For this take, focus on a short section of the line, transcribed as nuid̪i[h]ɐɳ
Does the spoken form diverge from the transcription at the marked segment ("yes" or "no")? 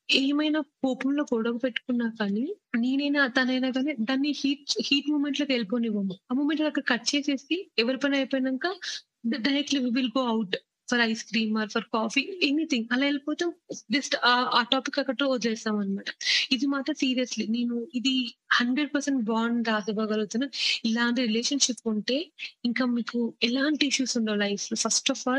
no